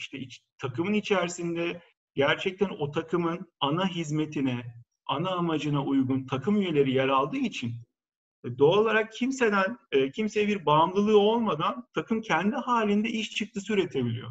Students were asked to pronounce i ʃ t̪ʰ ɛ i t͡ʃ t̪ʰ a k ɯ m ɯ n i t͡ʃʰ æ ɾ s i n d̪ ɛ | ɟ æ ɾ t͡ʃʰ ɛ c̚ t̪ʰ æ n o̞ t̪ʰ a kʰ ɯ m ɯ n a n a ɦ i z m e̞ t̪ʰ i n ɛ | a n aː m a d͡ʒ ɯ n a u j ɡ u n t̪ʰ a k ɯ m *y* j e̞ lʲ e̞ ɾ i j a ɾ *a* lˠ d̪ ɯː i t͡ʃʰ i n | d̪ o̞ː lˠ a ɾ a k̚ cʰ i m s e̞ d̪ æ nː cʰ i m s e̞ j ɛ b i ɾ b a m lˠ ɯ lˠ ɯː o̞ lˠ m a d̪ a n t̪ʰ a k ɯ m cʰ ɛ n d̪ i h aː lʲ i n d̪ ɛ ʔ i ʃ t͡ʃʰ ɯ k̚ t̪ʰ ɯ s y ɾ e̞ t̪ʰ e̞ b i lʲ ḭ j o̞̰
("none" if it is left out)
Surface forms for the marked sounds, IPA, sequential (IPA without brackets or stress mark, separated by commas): y, a